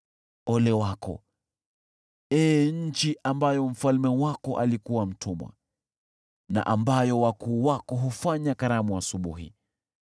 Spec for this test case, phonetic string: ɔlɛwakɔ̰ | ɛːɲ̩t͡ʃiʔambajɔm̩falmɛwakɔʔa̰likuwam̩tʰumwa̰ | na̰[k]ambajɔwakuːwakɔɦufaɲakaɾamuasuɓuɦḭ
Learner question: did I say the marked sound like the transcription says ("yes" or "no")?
no